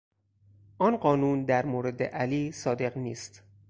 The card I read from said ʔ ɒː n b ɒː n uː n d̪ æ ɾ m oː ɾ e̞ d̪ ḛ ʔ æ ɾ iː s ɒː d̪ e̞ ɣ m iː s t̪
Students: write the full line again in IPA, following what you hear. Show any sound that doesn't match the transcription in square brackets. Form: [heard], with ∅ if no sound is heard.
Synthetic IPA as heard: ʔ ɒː n [ɢ] ɒː n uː n d̪ æ ɾ m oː ɾ e̞ d̪ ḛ ʔ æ [l] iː s ɒː d̪ e̞ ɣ [n] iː s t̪

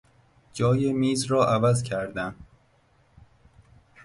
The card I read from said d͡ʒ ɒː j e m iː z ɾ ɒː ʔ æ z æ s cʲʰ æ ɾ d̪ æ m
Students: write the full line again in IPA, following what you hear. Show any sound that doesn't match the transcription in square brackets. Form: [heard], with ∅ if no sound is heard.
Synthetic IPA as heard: d͡ʒ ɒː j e m iː z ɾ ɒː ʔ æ [v] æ [z] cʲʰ æ ɾ d̪ æ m

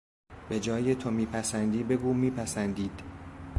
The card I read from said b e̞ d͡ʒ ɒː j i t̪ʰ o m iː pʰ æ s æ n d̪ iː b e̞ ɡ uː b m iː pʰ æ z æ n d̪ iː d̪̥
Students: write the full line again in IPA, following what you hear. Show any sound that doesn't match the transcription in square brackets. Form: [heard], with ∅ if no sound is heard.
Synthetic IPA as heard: b e̞ d͡ʒ ɒː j [e] t̪ʰ o m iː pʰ æ s æ n d̪ iː b e̞ ɡ uː [∅] m iː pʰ æ [s] æ n d̪ iː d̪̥

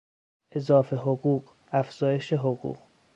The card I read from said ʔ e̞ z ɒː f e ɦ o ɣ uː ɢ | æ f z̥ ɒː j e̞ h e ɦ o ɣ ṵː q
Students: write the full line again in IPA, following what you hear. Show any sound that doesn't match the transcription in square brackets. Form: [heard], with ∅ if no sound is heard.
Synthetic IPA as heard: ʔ e̞ z ɒː f e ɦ o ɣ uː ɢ | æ f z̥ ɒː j e̞ [ʃ] e ɦ o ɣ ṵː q

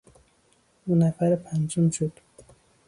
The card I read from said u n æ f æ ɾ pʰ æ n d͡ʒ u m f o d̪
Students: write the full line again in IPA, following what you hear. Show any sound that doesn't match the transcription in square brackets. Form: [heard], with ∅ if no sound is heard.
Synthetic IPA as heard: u n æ f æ ɾ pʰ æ n d͡ʒ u m [ʃ] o d̪

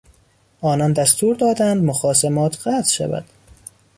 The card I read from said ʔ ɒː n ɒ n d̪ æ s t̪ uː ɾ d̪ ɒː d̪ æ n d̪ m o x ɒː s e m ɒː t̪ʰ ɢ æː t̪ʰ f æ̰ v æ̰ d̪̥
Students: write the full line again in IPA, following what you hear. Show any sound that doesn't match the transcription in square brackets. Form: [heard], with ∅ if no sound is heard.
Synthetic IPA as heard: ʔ ɒː n ɒ n d̪ æ s t̪ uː ɾ d̪ ɒː d̪ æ n d̪ m o x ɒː s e m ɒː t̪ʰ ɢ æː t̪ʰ [ʃ] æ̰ v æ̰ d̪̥

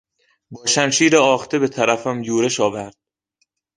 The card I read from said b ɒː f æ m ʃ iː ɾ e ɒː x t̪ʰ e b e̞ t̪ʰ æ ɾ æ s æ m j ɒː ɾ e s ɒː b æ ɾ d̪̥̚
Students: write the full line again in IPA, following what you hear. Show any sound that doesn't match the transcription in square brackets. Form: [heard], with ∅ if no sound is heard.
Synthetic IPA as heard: b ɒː [ʃ] æ m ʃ iː ɾ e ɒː x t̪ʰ e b e̞ t̪ʰ æ ɾ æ [f] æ m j [uː] ɾ e [ʃ] ɒː [v] æ ɾ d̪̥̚

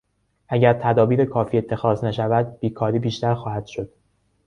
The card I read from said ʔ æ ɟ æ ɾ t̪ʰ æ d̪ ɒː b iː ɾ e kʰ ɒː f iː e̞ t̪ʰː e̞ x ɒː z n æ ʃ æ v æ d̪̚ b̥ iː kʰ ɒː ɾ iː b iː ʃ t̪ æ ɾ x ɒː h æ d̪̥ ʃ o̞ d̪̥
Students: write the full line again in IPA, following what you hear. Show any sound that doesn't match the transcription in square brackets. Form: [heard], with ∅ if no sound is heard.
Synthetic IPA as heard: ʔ æ ɟ æ ɾ t̪ʰ æ d̪ ɒː b iː ɾ e kʰ ɒː f iː e̞ t̪ʰː e̞ x ɒː z n æ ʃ æ v æ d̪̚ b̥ iː kʰ ɒː ɾ iː b iː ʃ t̪ æ ɾ x ɒː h æ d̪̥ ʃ o̞ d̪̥

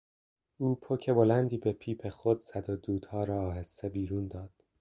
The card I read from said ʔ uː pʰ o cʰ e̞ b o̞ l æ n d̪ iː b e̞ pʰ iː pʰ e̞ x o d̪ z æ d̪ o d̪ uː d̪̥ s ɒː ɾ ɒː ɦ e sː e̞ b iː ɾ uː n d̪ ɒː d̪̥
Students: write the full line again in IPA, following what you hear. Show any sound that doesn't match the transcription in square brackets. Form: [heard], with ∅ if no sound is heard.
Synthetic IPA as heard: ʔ uː pʰ o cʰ e̞ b o̞ l æ n d̪ iː b e̞ pʰ iː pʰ e̞ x o d̪ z æ d̪ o d̪ uː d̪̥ [h] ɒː ɾ ɒː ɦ e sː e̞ b iː ɾ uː n d̪ ɒː d̪̥

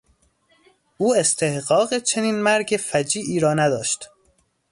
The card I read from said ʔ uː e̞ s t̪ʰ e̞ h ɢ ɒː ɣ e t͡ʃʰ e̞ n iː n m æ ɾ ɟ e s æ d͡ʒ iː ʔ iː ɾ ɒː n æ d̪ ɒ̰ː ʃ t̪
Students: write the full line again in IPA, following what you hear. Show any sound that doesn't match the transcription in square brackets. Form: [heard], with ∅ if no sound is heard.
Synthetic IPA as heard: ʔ uː e̞ s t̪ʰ e̞ h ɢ ɒː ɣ e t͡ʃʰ e̞ n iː n m æ ɾ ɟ e [f] æ d͡ʒ iː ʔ iː ɾ ɒː n æ d̪ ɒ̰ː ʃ t̪

